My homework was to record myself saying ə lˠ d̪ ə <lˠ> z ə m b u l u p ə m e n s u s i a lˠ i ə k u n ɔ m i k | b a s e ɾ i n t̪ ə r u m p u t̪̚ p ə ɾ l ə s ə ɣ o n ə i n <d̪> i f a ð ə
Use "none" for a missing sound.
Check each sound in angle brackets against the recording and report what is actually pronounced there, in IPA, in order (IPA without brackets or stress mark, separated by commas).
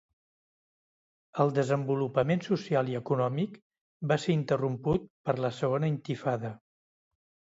none, t̪